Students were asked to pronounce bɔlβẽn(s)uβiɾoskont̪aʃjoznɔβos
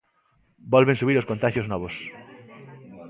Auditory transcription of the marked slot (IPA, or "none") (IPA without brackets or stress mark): s